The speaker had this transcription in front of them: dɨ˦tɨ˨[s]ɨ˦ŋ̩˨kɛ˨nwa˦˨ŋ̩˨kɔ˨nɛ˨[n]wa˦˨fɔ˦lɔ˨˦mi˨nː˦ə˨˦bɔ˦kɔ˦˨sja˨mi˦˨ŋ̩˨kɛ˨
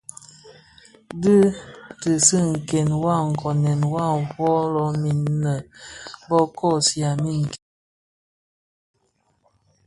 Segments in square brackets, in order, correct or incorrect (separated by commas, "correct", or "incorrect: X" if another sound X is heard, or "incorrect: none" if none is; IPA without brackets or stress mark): correct, correct